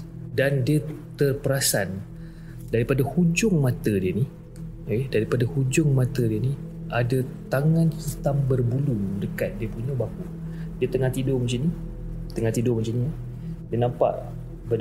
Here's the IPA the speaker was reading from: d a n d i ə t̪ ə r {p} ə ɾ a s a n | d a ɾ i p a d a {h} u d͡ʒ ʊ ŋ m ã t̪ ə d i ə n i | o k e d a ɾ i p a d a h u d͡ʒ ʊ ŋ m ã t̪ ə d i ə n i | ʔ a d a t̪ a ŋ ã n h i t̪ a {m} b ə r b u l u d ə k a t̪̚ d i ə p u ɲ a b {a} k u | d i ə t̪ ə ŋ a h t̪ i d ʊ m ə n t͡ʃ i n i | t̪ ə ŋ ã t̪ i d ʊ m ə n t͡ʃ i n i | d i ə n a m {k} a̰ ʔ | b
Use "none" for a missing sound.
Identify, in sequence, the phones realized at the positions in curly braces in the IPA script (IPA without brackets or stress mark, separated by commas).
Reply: p, h, m, a, p